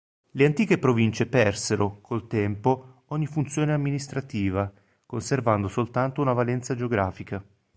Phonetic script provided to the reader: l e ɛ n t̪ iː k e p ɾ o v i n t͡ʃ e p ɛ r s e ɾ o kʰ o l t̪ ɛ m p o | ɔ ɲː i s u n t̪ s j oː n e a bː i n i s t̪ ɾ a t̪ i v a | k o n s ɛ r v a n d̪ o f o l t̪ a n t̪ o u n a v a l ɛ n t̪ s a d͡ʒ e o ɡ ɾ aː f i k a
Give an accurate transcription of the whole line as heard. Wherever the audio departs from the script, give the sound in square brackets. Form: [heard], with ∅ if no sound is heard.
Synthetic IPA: l e [a] n t̪ iː k e p ɾ o v i n t͡ʃ e p ɛ r s e ɾ o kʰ o l t̪ ɛ m p o | ɔ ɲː i [f] u n t̪ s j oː n e a [mː] i n i s t̪ ɾ a t̪ [iː] v a | k o n s [e] r v a n d̪ o [s] o l t̪ a n t̪ o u n a v a l ɛ n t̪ s a d͡ʒ e o ɡ ɾ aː f i k a